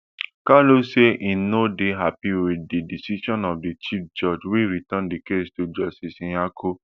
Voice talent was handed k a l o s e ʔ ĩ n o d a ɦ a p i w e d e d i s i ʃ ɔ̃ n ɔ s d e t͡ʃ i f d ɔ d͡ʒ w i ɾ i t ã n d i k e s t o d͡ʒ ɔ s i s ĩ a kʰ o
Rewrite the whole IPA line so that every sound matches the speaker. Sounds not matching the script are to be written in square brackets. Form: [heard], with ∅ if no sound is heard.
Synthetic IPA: k a l o s e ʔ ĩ n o d [e] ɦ a p i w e d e d i s i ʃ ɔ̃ n ɔ [f] d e t͡ʃ i f [d͡ʒ] ɔ d͡ʒ w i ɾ i t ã n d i k e s t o d͡ʒ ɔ s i s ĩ a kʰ o